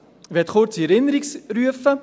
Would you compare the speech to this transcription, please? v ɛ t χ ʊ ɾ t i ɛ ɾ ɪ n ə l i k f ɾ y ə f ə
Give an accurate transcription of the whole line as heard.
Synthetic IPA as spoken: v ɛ t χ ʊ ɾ t͡s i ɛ ɾ ɪ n ə ɾ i k s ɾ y ə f ə